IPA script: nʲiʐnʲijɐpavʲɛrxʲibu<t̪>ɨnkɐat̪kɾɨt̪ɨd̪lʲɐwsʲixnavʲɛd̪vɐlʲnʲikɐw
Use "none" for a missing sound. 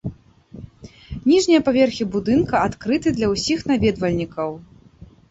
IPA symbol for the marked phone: d̪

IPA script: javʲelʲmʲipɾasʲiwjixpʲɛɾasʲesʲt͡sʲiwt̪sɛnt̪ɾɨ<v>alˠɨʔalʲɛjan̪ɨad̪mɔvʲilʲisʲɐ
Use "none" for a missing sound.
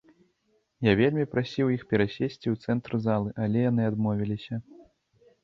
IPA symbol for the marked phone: z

